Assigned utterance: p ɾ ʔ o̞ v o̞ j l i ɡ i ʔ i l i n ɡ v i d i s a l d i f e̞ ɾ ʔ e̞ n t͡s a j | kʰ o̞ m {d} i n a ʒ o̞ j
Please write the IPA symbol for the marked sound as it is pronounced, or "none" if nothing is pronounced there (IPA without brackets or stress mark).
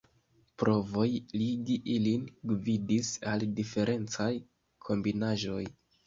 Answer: b